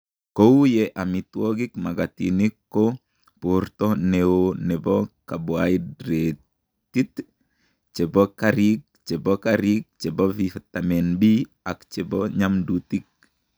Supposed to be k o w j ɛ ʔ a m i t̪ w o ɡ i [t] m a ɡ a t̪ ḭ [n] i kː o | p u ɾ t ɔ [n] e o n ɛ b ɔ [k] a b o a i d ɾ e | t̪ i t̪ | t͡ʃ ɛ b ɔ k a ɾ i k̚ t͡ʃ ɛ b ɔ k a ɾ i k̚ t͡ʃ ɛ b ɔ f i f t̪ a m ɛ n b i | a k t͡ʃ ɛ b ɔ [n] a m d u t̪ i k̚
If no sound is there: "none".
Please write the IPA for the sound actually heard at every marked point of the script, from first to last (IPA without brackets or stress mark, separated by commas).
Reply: k, n, n, k, ɲ